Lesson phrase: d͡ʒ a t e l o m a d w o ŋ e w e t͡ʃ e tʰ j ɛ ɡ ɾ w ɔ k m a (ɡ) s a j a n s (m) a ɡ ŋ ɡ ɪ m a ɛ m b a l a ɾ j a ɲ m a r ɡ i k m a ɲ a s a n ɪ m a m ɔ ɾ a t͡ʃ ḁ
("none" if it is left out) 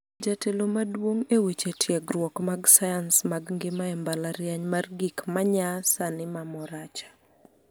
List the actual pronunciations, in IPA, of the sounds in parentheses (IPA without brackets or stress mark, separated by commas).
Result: ɡ, m